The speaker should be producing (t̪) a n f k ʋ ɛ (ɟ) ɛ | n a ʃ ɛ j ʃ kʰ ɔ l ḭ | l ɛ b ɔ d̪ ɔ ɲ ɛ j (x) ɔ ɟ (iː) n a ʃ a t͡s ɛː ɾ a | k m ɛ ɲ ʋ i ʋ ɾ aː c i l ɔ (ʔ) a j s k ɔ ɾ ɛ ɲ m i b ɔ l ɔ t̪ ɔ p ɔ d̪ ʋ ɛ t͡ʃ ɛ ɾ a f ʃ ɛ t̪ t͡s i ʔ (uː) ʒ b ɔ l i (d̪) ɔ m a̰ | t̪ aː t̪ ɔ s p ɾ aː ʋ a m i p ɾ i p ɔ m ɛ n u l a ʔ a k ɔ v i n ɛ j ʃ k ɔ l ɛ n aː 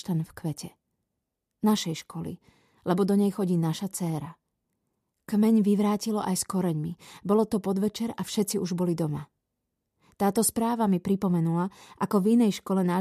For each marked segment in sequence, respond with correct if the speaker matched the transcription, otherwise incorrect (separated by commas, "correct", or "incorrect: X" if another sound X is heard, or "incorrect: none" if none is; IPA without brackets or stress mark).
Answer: correct, incorrect: c, correct, correct, correct, incorrect: u, correct